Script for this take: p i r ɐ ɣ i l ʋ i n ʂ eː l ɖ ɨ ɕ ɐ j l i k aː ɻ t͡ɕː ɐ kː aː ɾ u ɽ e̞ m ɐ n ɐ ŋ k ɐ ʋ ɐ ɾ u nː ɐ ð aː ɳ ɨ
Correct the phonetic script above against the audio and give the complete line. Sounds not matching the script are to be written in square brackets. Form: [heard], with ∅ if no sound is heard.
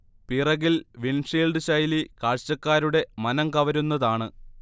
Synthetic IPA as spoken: p i r ɐ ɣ i l ʋ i n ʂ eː l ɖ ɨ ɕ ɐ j l i k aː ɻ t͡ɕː ɐ kː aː ɾ u ɽ e̞ m ɐ n ɐ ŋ k ɐ ʋ ɐ ɾ u nː ɐ ð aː ɳ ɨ